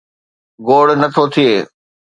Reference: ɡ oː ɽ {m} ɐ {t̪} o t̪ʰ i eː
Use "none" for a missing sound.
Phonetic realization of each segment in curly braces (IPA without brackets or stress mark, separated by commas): n, t̪ʰ